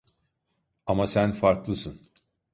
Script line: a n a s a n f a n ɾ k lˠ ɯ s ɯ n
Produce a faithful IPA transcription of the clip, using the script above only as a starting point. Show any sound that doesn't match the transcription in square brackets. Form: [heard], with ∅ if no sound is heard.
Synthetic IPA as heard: a [m] a s [æ] n f a [∅] ɾ k lˠ ɯ s ɯ n